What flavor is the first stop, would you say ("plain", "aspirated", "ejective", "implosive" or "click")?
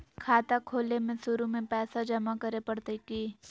aspirated